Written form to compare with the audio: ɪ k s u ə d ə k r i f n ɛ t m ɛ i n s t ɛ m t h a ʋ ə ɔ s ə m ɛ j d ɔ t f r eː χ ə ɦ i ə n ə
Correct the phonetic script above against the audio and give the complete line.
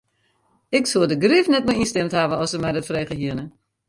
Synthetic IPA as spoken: ɪ k s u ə d ə ɡ r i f n ɛ t m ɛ i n s t ɛ m t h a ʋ ə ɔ s ə m ɛ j d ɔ t f r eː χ ə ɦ i ə n ə